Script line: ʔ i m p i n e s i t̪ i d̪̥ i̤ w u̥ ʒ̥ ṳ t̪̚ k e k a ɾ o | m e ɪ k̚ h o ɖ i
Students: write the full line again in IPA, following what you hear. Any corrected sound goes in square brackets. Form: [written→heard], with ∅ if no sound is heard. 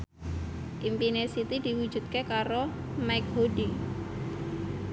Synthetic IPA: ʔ i m p i n e s i t̪ i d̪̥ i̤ w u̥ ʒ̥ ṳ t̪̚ k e k a ɾ o | m [e→a] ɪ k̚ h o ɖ i